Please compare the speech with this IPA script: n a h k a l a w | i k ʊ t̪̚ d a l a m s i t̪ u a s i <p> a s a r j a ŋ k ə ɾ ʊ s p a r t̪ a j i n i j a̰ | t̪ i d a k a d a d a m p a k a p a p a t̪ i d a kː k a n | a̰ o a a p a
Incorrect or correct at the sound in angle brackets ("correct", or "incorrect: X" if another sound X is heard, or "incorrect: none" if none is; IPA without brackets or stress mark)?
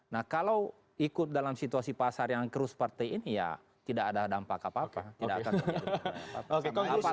correct